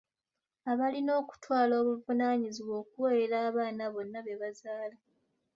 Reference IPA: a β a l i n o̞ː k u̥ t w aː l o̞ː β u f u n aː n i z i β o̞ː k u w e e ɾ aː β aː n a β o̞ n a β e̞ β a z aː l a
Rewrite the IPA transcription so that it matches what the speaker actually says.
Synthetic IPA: a β a l i n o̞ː k u̥ t w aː l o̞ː β u v u n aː ɲ i z i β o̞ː k u w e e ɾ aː β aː n a β o̞ nː a β e̞ β a z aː l a